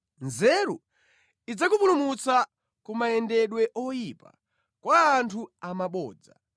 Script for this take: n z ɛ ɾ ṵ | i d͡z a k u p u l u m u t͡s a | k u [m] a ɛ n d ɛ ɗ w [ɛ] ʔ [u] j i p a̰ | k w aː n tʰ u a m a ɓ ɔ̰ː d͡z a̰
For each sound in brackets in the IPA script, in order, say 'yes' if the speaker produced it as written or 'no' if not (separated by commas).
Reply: yes, yes, no